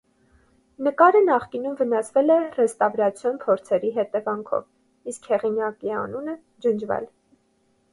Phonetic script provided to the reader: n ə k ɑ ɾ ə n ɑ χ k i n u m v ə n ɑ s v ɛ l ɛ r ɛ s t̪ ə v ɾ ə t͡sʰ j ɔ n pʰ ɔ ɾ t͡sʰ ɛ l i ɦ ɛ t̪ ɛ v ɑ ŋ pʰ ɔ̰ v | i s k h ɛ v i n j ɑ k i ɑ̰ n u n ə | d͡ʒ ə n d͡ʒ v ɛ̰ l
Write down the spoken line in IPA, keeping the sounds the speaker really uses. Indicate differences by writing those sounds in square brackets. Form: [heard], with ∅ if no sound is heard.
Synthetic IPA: n ə k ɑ ɾ ə n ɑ χ k i n u m v ə n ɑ s v ɛ l ɛ r ɛ s t̪ [ɑ] v ɾ [ɑ] t͡sʰ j ɔ n pʰ ɔ ɾ t͡sʰ ɛ [ɾ] i ɦ ɛ t̪ ɛ v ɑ ŋ [kʰ] ɔ̰ v | i s k h ɛ [ʁ] i n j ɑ k i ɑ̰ n u n ə | d͡ʒ ə n d͡ʒ v ɛ̰ l

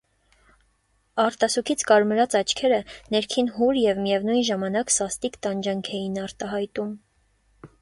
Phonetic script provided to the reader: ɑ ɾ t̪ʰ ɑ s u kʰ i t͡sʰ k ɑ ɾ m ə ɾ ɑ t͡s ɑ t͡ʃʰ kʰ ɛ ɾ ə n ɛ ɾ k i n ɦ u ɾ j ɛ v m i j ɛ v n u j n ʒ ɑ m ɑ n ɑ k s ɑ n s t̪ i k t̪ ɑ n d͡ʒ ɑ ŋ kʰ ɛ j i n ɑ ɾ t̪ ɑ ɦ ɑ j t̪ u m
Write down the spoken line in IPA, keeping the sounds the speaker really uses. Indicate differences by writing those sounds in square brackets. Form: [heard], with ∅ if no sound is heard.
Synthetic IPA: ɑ ɾ [t̪] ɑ s u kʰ i t͡sʰ k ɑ ɾ m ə ɾ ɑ t͡s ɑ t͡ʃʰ kʰ ɛ ɾ ə n ɛ ɾ [kʰ] i n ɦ u ɾ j ɛ v m i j ɛ v n u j n ʒ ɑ m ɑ n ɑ k s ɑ [∅] s t̪ i k t̪ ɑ n d͡ʒ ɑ ŋ kʰ ɛ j i n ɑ ɾ t̪ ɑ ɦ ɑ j t̪ u m

